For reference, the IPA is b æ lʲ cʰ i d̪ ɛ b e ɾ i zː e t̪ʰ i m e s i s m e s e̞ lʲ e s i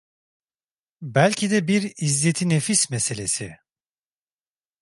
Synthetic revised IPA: b æ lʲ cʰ i d̪ ɛ b i ɾ i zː e t̪ʰ i n e f i s m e s e̞ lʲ e s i